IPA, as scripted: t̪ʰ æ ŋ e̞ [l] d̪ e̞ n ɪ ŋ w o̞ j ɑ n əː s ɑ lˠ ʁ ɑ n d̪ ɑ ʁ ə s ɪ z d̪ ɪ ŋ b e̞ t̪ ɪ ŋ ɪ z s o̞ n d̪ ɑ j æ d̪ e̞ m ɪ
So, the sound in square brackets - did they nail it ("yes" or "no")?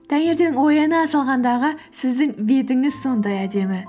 no